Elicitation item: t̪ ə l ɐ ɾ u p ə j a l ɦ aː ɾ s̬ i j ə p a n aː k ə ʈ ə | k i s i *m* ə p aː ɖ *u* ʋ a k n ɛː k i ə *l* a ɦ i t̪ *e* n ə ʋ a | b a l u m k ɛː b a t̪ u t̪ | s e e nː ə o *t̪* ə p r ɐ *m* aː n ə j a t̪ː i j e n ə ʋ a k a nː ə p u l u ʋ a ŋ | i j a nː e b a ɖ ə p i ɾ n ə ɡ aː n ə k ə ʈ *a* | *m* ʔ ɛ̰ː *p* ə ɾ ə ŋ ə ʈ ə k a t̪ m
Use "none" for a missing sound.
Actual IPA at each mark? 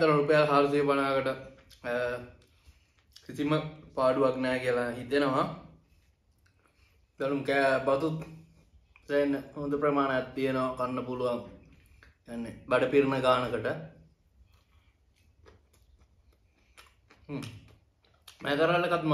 m, u, l, e, d̪, m, ə, m, k

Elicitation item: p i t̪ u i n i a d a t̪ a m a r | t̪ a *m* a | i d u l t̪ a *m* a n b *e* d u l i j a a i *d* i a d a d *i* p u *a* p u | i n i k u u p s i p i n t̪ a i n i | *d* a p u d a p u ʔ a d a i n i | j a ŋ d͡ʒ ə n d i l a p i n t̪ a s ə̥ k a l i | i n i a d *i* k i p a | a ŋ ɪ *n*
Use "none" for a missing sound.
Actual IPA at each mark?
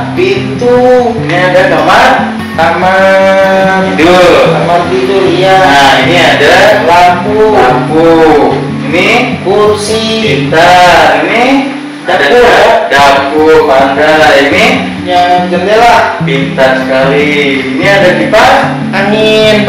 m, m, i, n, a, a, d, a, n

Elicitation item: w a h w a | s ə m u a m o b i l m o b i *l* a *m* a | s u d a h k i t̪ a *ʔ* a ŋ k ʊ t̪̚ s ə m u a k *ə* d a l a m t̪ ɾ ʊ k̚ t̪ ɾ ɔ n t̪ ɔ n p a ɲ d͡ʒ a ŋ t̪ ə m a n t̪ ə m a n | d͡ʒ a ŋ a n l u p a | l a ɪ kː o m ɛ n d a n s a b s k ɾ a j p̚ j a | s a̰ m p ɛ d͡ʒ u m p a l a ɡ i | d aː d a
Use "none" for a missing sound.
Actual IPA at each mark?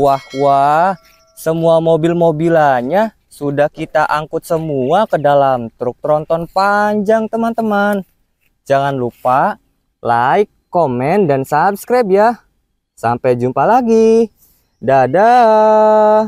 l, ɲ, ʔ, ə

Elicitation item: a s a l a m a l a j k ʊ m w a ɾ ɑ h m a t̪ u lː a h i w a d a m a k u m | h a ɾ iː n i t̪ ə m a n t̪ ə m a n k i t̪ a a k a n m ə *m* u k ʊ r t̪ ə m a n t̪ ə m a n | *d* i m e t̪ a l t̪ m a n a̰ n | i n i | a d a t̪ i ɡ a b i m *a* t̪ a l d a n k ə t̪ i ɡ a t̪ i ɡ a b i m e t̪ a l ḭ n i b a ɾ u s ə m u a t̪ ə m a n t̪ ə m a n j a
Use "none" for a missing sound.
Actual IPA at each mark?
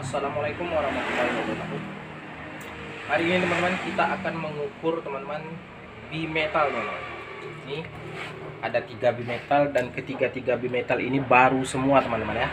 ŋ, b, e

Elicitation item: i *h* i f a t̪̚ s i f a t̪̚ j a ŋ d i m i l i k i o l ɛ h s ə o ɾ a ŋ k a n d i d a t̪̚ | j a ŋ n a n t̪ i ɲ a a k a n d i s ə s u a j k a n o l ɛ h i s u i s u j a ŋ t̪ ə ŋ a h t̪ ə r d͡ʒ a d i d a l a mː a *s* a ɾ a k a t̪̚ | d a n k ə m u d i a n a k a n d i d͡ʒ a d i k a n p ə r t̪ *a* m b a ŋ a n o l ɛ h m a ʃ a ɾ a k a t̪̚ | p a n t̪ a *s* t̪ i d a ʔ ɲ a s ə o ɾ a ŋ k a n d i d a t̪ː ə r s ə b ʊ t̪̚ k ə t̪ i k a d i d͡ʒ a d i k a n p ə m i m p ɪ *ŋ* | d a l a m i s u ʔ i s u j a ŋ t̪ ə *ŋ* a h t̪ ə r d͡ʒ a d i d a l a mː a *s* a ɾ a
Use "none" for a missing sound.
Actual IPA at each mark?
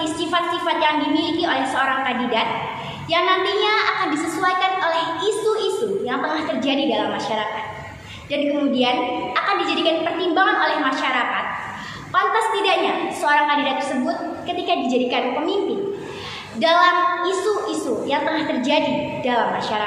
s, ʃ, i, s, n, ŋ, ʃ

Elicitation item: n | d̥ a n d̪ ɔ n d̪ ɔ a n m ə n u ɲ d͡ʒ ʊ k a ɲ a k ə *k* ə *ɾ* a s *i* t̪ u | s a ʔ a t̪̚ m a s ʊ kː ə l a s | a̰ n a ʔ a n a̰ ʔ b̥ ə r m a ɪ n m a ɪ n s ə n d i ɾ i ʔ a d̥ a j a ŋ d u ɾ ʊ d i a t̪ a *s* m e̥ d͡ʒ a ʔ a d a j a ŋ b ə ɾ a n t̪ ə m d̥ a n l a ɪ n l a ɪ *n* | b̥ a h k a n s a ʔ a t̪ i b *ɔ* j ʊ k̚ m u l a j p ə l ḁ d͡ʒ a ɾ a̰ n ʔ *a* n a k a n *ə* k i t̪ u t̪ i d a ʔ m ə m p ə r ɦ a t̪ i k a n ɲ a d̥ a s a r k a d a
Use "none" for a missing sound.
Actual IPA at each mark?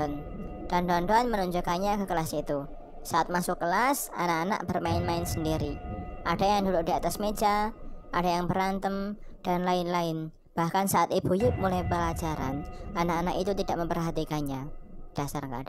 k, l, i, s, n, u, a, a

